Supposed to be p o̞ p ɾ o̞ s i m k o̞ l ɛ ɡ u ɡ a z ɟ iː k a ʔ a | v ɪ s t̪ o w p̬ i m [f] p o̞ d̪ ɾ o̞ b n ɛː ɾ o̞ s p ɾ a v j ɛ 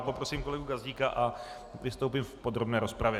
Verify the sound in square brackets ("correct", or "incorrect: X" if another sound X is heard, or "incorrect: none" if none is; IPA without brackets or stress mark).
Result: correct